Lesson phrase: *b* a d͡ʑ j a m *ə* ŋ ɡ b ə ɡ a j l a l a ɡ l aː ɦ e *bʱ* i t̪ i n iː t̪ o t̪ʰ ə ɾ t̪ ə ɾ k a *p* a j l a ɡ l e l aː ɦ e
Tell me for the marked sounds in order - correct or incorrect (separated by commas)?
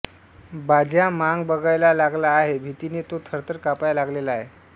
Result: correct, incorrect, correct, correct